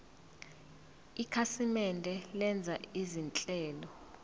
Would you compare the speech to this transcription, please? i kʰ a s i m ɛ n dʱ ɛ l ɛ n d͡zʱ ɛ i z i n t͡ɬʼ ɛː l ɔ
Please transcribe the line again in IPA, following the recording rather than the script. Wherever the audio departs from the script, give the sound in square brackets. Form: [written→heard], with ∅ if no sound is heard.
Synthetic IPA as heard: i kʰ a s i m ɛ n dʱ ɛ l ɛ n d͡zʱ [ɛ→a] i z i n t͡ɬʼ ɛː l ɔ

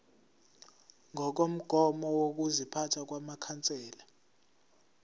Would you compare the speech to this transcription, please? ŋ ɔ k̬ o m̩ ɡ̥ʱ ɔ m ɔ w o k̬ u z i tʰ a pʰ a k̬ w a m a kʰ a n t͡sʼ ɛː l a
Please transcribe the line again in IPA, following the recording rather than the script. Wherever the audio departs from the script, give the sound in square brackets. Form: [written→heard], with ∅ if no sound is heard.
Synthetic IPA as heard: ŋ ɔ k̬ o m̩ ɡ̥ʱ ɔ m ɔ w o k̬ u z i [tʰ→pʰ] a [pʰ→tʰ] a k̬ w a m a kʰ a n t͡sʼ ɛː l a

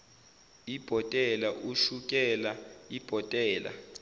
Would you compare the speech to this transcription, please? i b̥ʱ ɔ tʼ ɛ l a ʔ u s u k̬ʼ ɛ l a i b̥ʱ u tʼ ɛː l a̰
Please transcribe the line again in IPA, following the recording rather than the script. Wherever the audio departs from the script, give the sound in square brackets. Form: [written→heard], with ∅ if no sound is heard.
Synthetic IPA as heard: i b̥ʱ ɔ tʼ ɛ l a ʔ u [s→ʃ] u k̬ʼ ɛ l a i b̥ʱ [u→ɔ] tʼ ɛː l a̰

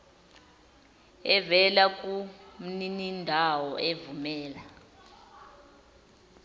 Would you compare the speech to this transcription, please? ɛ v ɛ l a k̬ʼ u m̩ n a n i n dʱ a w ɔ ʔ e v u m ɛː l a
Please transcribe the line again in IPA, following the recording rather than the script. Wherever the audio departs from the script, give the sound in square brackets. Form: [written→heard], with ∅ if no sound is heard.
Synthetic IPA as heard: ɛ v ɛ l a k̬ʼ u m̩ n [a→i] n i n dʱ a w ɔ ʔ e v u m ɛː l a

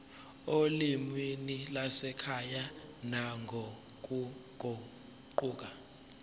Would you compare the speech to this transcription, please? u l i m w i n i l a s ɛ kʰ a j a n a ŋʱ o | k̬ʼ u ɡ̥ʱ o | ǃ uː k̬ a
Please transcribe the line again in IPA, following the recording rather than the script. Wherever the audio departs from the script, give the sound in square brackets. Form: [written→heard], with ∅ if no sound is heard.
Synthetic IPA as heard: [u→o] l i m w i n i l a s ɛ kʰ a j a n a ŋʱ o | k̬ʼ u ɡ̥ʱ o | ǃ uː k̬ a

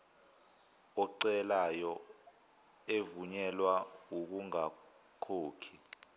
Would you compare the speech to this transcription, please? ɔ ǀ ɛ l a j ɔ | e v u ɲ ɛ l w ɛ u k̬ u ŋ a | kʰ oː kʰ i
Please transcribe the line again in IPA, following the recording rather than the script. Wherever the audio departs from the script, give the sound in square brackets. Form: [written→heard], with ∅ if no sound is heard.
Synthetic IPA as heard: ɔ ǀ ɛ l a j ɔ | e v u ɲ ɛ l w [ɛ→a] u k̬ u ŋ a | kʰ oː kʰ i

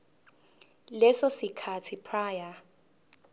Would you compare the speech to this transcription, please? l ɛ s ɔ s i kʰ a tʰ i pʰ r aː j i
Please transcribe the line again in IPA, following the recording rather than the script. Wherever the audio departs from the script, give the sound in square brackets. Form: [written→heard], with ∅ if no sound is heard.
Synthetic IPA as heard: l ɛ s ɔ s i kʰ a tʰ i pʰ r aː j [i→a]

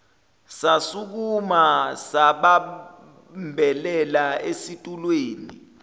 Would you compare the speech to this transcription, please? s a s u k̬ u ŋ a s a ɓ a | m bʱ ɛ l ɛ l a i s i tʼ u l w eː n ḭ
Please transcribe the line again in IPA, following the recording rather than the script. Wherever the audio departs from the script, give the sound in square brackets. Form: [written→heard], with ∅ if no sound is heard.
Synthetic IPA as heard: s a s u k̬ u [ŋ→m] a s a ɓ a | m bʱ ɛ l ɛ l a [i→e] s i tʼ u l w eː n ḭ

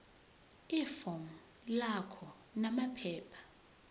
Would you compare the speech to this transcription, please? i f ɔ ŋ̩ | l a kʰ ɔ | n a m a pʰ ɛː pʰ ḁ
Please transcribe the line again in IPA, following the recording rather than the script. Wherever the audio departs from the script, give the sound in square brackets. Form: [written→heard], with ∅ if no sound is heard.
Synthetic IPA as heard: i f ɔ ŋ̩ | l a kʰ ɔ | n a m a pʰ ɛː pʰ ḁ

